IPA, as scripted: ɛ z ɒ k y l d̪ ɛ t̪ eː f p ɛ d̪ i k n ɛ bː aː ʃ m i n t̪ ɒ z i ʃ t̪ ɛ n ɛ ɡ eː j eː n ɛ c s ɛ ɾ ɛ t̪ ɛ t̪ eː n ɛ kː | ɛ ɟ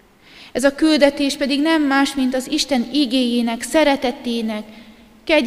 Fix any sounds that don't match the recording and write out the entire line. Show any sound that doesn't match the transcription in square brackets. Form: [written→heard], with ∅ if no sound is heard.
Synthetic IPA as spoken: ɛ z ɒ k y l d̪ ɛ t̪ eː [f→ʃ] p ɛ d̪ i [k→ɡ] n ɛ [bː→mː] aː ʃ m i n t̪ ɒ z i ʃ t̪ ɛ n [ɛ→i] ɡ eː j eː n ɛ [c→k] s ɛ ɾ ɛ t̪ ɛ t̪ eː n ɛ kː | ɛ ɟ